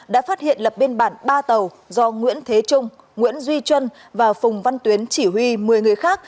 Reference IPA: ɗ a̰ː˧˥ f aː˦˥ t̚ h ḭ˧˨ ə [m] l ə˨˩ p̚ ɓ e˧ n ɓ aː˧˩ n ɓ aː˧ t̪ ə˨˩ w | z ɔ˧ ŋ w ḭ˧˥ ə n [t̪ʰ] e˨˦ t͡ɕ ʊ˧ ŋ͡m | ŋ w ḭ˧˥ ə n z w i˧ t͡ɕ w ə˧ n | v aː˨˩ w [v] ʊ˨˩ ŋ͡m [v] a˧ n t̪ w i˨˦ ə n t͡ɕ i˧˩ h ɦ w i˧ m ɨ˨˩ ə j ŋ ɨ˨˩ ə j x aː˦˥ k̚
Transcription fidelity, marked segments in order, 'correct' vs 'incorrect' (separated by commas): incorrect, correct, incorrect, correct